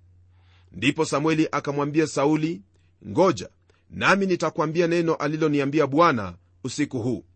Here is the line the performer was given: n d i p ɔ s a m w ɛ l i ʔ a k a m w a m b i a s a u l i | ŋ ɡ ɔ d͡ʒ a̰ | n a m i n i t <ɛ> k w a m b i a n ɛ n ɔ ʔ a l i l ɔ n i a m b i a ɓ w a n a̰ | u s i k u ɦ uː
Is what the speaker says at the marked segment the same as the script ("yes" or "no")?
no